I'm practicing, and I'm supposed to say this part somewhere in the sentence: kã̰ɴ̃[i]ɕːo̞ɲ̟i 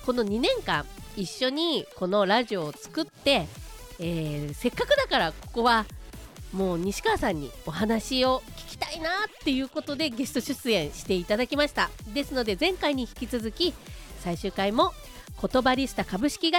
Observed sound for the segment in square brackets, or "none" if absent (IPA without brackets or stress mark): i